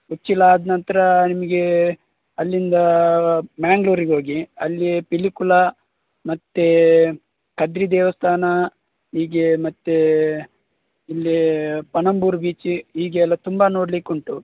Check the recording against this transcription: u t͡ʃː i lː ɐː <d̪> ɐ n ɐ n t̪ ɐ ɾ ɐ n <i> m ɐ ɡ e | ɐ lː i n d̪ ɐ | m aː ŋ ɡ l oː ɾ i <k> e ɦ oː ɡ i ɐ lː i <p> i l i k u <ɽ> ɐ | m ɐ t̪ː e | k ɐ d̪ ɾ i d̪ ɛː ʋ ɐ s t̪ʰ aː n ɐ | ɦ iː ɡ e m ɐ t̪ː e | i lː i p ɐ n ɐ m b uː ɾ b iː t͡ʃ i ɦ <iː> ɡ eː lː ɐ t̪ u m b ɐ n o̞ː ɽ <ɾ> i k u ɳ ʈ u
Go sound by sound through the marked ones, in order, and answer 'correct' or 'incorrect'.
correct, correct, incorrect: ɡ, correct, incorrect: l, correct, incorrect: l

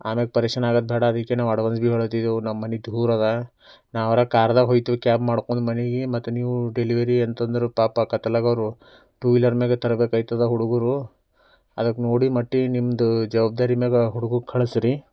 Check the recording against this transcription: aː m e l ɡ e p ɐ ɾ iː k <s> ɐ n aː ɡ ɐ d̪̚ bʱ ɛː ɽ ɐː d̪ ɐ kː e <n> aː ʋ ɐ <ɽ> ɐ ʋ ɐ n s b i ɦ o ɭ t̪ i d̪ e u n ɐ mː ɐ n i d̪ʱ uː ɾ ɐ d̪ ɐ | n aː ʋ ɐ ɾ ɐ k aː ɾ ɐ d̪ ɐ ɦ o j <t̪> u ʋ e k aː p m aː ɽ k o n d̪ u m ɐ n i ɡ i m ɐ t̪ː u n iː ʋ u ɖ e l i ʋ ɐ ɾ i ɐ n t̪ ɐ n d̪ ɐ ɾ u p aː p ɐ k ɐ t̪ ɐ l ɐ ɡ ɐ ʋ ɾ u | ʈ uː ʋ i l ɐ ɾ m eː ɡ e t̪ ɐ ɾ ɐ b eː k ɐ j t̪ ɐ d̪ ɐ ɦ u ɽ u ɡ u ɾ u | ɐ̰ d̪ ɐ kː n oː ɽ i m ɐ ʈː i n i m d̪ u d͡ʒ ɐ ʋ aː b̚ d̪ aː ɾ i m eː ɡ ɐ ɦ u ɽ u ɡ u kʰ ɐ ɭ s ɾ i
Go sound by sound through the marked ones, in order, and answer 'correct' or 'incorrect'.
incorrect: ʂ, correct, correct, correct

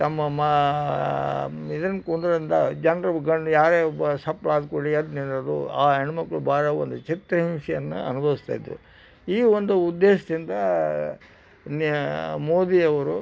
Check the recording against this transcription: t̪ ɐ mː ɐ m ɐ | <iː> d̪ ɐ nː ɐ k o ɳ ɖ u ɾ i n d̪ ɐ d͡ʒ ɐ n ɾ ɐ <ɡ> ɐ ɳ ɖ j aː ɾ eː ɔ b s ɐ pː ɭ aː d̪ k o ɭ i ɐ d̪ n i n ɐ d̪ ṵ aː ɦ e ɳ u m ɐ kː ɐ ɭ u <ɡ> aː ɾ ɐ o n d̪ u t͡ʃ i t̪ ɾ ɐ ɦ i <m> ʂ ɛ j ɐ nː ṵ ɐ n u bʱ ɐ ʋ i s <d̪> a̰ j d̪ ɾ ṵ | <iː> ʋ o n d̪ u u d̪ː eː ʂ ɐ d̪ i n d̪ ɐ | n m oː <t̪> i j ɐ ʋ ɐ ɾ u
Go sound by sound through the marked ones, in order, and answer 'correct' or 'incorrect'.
incorrect: i, correct, incorrect: b, correct, incorrect: t̪, correct, incorrect: d̪

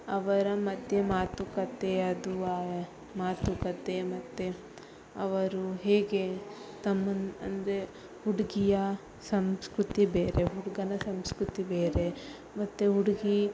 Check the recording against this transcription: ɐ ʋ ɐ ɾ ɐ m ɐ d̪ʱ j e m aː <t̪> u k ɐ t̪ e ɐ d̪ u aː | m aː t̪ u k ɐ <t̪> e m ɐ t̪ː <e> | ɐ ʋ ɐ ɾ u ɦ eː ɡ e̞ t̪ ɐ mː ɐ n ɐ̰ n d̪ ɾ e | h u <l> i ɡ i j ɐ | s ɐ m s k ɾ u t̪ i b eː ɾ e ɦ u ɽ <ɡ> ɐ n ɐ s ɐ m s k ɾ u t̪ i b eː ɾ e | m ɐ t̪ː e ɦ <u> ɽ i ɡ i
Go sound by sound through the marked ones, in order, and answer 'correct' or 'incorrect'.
correct, correct, correct, incorrect: ɽ, correct, correct

